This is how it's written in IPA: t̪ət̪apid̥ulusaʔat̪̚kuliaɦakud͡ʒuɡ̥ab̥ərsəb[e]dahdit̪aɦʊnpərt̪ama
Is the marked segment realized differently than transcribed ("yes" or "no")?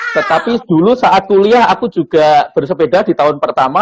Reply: no